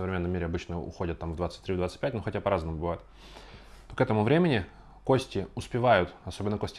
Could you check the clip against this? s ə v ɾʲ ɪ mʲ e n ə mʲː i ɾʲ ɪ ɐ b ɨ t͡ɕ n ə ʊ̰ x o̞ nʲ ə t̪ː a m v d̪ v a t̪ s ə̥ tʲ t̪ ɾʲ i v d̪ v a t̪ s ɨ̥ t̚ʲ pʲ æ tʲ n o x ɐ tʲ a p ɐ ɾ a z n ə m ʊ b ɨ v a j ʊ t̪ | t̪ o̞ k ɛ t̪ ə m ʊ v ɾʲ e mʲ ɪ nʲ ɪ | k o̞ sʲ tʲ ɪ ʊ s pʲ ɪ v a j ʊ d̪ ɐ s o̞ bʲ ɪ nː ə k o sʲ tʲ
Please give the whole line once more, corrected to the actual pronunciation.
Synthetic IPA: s ə v ɾʲ ɪ mʲ e nː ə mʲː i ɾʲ ɪ ɐ b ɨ t͡ɕ n ə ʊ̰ x o̞ dʲ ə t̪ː a m v d̪ v a t̪ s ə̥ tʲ t̪ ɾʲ i v d̪ v a t̪ s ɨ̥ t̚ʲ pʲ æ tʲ n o x ɐ tʲ a p ɐ ɾ a z n ə m ʊ b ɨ v a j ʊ t̪ | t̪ o̞ k ɛ t̪ ə m ʊ v ɾʲ e mʲ ɪ nʲ ɪ | k o̞ sʲ tʲ ɪ ʊ s pʲ ɪ v a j ʊ t̪ ɐ s o̞ bʲ ɪ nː ə k o sʲ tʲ